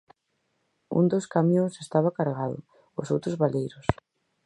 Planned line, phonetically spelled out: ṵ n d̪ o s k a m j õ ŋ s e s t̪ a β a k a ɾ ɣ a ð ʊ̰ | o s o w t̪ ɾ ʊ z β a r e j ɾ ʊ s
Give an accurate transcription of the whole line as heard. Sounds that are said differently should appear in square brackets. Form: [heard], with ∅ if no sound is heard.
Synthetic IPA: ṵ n d̪ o s k a m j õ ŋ s e s t̪ a β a k a ɾ ɣ a ð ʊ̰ | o s o w t̪ ɾ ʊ z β a [l] e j ɾ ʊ s

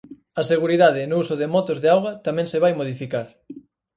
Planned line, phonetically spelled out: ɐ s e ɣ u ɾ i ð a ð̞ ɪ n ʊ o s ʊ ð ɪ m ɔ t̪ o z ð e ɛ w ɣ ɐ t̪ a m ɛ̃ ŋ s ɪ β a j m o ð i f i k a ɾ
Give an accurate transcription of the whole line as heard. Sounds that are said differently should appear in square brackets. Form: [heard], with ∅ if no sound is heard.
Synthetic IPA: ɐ s e ɣ u ɾ i ð a ð̞ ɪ n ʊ [u] s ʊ ð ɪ m ɔ t̪ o z ð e [a] w ɣ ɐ t̪ a m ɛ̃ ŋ s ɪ β a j m o ð i f i k a ɾ

